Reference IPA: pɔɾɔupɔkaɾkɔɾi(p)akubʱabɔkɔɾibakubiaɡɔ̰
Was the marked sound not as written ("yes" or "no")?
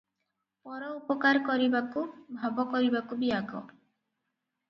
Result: yes